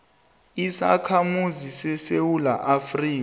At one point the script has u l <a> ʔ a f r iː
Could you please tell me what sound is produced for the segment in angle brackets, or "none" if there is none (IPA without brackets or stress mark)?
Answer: a